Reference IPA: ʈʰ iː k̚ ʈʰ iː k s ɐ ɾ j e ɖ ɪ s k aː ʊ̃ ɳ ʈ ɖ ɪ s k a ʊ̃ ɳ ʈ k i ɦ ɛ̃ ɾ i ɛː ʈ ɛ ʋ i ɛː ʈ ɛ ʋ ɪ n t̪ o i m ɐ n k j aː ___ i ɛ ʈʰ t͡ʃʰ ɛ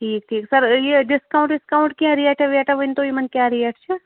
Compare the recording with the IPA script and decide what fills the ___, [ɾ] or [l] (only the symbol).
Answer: ɾ